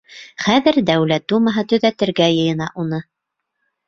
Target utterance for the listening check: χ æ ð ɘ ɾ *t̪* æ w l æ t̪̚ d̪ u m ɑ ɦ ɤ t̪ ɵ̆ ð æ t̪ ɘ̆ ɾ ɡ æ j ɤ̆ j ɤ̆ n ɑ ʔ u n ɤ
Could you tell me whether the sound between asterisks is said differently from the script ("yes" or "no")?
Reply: yes